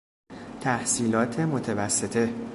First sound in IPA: t̪ʰ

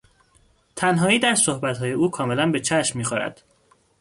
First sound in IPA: t̪ʰ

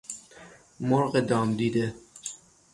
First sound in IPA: m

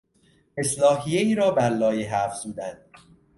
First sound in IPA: e̞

